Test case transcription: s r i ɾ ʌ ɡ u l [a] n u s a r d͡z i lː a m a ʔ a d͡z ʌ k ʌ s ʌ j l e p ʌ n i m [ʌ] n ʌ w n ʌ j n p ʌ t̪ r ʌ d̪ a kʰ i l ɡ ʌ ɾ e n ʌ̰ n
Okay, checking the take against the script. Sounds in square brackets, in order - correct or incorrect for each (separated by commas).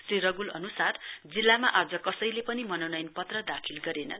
incorrect, correct